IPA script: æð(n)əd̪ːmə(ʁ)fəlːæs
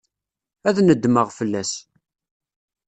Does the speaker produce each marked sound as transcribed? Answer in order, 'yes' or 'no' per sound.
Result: yes, yes

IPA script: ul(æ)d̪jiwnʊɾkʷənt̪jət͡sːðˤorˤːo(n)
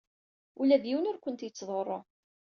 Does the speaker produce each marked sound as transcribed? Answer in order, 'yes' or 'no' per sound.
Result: yes, no

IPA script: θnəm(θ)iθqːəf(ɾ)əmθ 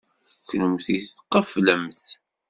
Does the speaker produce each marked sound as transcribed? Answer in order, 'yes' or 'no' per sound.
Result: yes, no

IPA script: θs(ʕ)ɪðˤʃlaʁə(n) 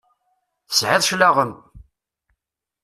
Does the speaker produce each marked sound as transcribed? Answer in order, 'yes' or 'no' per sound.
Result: yes, no

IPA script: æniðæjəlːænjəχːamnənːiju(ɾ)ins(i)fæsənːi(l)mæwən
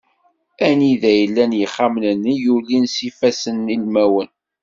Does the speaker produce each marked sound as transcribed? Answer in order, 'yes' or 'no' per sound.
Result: no, yes, yes

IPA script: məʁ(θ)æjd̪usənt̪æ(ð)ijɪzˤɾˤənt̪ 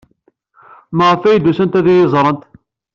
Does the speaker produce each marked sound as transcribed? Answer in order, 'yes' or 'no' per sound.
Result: no, yes

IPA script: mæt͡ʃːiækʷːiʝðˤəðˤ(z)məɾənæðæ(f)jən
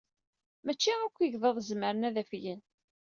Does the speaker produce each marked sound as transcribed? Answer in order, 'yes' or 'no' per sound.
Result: yes, yes

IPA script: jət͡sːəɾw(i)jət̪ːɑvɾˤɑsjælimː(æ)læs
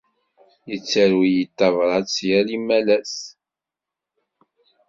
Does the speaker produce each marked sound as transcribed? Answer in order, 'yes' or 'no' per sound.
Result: yes, yes

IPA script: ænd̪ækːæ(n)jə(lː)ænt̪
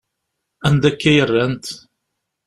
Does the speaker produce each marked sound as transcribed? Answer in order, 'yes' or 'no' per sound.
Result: no, no

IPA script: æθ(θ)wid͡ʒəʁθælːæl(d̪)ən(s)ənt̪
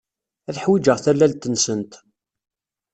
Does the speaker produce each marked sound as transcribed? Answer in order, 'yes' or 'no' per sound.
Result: no, no, yes

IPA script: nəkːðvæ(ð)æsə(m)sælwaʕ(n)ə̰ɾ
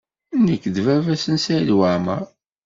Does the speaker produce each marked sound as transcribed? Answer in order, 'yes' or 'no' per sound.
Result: no, no, no

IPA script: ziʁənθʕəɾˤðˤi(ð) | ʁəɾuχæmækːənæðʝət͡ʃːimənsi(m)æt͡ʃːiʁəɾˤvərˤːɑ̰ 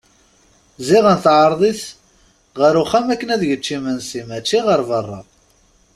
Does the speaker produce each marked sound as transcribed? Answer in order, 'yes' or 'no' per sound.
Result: no, yes

